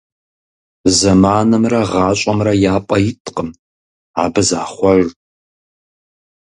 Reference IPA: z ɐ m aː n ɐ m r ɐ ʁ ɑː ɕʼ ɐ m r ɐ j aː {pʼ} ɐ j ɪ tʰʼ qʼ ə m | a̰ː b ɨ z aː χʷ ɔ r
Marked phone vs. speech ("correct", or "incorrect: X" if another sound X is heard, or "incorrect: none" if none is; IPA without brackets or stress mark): correct